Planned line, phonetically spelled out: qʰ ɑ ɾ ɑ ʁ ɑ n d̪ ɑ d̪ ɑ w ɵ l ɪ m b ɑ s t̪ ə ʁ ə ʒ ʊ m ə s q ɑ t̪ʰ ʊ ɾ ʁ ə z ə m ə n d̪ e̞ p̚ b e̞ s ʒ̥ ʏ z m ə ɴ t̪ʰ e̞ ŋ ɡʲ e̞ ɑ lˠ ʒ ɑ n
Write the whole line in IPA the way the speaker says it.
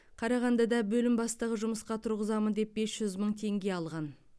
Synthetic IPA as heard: qʰ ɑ ɾ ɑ ʁ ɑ n d̪ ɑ d̪ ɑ b ɵ l ɪ m b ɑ s t̪ ə ʁ ə ʒ ʊ m ə s q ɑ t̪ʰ ʊ ɾ ʁ ə z ɑ m ə n d̪ e̞ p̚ b e̞ s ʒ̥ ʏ z m ə ɴ t̪ʰ e̞ ŋ ɡʲ e̞ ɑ lˠ ʁ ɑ n